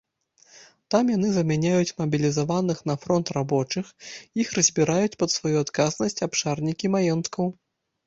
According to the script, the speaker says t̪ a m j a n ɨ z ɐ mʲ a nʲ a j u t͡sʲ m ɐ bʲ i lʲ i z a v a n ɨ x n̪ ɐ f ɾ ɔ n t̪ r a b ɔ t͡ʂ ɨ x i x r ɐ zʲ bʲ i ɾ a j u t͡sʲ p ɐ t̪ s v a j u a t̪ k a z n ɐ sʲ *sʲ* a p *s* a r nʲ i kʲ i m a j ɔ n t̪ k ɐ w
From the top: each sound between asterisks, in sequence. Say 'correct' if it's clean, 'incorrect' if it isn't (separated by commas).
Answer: incorrect, incorrect